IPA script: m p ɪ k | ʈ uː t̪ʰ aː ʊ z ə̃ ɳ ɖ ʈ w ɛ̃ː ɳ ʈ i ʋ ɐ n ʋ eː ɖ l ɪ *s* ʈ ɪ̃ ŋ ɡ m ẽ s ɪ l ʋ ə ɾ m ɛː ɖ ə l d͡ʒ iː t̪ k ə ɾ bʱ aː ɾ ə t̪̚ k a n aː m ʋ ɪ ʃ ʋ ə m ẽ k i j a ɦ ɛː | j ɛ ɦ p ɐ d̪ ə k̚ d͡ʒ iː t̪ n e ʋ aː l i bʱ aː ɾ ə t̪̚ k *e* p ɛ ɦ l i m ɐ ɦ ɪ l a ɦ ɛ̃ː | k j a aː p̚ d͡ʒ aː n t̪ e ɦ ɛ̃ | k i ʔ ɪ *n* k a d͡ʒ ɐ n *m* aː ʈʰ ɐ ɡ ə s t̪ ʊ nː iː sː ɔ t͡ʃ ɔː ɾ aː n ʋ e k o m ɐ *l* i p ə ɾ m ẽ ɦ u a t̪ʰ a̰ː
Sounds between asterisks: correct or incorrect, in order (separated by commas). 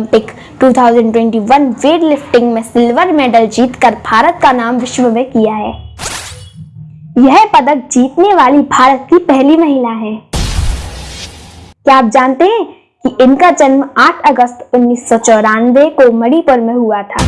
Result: incorrect, incorrect, correct, correct, incorrect